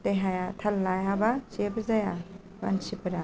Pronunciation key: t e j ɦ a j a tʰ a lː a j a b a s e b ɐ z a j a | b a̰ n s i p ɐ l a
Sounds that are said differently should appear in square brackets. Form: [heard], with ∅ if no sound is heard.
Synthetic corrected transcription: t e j ɦ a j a tʰ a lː a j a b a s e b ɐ z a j a | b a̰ n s i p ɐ [ɾ] a